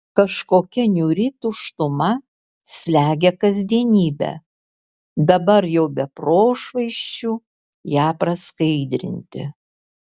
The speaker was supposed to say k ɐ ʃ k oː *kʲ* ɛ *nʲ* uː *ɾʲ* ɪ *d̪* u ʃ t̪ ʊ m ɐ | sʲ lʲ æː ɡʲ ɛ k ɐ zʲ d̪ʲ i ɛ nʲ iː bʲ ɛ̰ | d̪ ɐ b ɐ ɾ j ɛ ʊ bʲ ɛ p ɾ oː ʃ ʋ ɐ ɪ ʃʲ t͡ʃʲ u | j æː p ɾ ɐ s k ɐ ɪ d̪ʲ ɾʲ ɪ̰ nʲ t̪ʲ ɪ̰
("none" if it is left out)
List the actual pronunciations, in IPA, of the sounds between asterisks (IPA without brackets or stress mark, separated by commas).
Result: kʲ, nʲ, ɾʲ, t̪